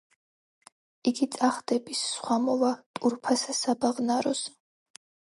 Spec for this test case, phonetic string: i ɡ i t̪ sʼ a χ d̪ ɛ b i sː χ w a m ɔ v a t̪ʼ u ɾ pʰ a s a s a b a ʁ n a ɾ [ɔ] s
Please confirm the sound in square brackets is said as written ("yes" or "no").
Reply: yes